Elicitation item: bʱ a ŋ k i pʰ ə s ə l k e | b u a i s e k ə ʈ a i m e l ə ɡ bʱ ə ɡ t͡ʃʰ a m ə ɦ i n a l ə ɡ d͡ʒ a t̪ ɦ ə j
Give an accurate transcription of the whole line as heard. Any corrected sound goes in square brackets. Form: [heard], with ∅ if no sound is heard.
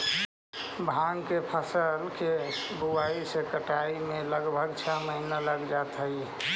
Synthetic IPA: bʱ a ŋ k [e] pʰ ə s ə l k e | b u a i s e k ə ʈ a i m e l ə ɡ bʱ ə ɡ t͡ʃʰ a m ə ɦ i n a l ə ɡ d͡ʒ a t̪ ɦ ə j